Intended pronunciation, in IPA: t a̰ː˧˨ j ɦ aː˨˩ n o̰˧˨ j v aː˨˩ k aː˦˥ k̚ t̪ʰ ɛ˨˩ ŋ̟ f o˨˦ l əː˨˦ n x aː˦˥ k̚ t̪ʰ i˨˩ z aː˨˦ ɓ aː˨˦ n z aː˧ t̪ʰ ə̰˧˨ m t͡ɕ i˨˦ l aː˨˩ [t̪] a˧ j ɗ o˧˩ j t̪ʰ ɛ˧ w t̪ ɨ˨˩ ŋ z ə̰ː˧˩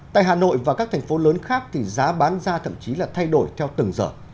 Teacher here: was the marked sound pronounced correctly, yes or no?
no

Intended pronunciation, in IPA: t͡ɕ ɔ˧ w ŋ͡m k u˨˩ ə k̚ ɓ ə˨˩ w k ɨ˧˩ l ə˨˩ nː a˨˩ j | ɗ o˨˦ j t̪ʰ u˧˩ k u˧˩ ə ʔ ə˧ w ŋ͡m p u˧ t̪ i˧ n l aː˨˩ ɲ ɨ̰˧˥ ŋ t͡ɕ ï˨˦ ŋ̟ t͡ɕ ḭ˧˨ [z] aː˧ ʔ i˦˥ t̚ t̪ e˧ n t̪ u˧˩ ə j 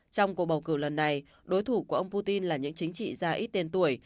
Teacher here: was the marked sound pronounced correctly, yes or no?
yes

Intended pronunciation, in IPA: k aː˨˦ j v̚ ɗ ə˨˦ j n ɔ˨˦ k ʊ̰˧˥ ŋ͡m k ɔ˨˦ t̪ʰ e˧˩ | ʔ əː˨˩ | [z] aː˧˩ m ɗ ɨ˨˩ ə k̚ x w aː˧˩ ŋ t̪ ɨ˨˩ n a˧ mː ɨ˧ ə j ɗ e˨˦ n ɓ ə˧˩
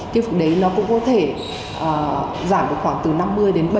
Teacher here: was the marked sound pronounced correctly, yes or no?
yes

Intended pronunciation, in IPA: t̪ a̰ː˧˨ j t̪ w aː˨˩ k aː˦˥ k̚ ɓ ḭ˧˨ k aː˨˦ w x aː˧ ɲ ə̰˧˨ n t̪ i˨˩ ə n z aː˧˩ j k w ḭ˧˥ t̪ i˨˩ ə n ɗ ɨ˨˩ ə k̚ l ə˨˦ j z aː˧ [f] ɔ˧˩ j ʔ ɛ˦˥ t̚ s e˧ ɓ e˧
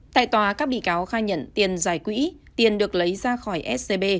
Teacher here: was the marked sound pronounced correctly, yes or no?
no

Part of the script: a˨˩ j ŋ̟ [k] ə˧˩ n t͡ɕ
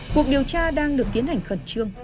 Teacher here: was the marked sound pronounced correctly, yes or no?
no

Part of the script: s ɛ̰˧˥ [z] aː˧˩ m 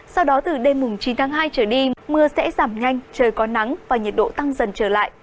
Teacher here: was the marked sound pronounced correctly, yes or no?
yes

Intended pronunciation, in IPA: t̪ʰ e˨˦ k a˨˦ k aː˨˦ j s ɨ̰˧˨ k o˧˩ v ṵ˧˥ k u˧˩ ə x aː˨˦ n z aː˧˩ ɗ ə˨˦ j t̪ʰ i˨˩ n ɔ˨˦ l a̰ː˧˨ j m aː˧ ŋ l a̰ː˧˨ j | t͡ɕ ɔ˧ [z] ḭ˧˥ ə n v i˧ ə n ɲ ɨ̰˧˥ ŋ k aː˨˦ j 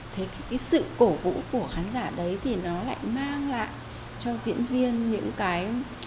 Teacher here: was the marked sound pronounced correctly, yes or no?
yes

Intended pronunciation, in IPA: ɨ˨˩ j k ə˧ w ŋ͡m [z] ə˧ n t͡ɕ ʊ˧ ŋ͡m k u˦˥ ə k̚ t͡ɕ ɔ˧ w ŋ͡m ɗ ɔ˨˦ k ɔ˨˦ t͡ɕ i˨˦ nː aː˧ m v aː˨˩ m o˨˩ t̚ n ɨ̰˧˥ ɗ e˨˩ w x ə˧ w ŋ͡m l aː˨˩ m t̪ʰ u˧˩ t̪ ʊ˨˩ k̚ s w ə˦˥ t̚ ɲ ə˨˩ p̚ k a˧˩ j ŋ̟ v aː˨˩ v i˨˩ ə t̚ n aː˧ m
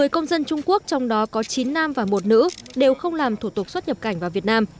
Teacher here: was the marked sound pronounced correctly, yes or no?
yes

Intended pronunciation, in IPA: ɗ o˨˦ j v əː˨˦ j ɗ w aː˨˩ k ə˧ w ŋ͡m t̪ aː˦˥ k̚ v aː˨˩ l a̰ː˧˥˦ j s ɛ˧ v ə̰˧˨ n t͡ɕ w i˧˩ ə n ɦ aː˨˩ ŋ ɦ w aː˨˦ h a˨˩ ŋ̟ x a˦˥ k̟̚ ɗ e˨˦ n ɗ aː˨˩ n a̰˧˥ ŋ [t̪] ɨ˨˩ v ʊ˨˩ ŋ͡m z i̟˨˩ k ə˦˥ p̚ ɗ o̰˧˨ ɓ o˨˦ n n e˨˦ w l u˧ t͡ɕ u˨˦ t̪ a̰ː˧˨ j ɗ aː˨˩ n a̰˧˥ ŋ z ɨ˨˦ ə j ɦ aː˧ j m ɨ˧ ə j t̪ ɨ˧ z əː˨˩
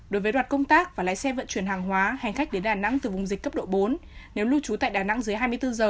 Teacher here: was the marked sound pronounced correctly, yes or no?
yes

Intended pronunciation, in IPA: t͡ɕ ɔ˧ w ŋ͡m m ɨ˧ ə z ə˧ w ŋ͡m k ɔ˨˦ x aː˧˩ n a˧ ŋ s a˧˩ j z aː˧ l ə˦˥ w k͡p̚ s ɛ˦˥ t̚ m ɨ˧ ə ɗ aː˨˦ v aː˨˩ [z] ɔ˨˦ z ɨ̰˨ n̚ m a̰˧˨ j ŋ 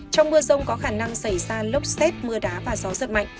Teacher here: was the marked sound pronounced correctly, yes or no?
yes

